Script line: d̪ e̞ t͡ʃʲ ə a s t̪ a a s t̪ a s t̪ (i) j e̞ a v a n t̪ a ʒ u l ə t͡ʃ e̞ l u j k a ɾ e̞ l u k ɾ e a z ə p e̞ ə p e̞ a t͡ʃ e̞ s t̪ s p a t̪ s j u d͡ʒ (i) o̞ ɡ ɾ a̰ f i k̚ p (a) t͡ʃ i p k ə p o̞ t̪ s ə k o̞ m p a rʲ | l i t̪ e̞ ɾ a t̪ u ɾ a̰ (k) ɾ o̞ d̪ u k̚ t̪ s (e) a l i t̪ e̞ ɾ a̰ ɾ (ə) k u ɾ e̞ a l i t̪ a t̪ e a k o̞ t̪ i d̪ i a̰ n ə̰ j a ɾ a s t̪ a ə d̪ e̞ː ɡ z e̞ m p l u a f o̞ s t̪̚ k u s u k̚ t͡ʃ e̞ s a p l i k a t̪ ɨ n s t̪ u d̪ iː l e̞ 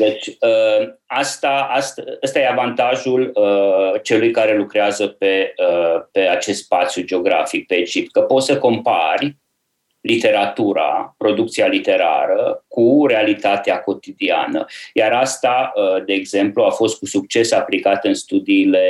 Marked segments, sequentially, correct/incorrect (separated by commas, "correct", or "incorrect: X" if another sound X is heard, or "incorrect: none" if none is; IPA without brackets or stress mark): incorrect: a, incorrect: e, incorrect: e, incorrect: p, incorrect: i, correct